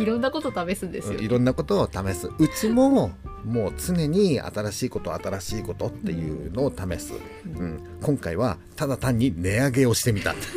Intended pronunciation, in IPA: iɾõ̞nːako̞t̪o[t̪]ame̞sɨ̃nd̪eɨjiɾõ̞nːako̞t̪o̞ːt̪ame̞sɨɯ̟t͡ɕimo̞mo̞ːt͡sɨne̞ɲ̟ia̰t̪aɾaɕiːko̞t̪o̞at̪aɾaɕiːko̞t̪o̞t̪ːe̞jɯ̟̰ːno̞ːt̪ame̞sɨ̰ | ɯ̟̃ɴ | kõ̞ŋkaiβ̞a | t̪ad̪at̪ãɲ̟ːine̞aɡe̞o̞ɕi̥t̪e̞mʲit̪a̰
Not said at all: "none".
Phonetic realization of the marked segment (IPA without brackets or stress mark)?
t̪